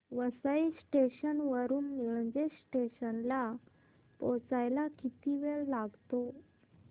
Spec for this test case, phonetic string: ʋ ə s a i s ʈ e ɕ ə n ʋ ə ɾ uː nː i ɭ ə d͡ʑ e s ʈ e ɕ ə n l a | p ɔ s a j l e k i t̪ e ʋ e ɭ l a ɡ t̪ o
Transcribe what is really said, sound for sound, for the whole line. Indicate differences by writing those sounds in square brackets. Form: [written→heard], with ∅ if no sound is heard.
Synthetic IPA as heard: ʋ ə s a i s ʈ e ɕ ə n ʋ ə ɾ uː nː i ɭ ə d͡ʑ e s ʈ e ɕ ə n l a | p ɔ [s→t͡s] a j l [e→a] k i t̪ [e→i] ʋ e ɭ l a ɡ t̪ o

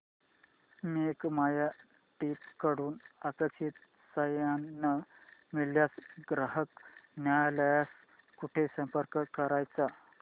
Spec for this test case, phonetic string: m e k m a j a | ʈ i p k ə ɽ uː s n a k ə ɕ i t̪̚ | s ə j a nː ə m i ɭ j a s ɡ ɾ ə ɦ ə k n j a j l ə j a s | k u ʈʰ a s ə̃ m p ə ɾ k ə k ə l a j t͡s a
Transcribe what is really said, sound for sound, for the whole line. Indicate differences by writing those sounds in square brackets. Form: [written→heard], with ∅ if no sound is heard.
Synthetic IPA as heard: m e k m a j a | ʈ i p k ə ɽ uː [s→∅] n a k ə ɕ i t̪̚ | s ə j a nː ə m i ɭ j a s ɡ ɾ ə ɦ ə k n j a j l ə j a s | k u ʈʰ [a→e] s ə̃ m p ə ɾ k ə k ə [l→ɾ] a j t͡s a

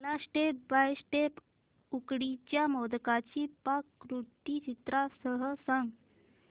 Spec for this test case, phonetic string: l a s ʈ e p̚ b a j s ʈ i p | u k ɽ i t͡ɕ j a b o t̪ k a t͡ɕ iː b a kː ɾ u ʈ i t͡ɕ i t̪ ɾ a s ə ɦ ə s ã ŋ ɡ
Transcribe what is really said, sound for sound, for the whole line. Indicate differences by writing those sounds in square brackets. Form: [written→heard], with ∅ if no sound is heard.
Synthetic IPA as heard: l a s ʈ e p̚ b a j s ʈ [i→e] p | u k ɽ i t͡ɕ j a [b→m] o [t̪→d̪] k a t͡ɕ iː [b→p] a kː ɾ u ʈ i t͡ɕ i t̪ ɾ a s ə ɦ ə s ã ŋ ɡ

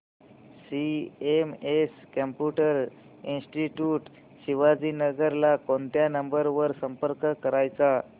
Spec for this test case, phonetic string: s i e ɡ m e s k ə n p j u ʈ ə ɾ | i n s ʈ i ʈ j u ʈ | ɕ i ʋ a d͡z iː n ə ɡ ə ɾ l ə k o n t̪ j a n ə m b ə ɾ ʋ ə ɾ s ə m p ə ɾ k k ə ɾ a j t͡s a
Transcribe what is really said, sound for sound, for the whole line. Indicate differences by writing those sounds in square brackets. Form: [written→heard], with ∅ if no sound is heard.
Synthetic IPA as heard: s i e [ɡ→∅] m e s k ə [n→m] p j u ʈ ə ɾ | i n s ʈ i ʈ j u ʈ | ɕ i ʋ a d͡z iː n ə ɡ ə ɾ l [ə→a] k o n t̪ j a n ə m b ə ɾ ʋ ə ɾ s ə m p ə ɾ k k ə ɾ a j t͡s a

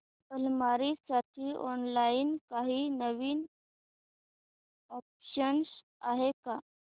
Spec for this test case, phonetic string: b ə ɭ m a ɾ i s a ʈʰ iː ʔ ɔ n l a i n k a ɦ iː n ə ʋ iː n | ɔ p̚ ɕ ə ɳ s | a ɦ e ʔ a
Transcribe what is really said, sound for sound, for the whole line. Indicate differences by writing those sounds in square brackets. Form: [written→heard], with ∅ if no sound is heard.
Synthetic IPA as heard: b ə [ɭ→l] m a ɾ i s a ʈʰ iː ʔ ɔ n l a i n k a ɦ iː n ə ʋ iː n | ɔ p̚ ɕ ə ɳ s | a ɦ e [ʔ→k] a

